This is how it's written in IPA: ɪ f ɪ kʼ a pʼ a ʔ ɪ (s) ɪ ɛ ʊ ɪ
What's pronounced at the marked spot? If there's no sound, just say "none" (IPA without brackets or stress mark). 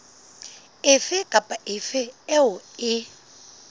f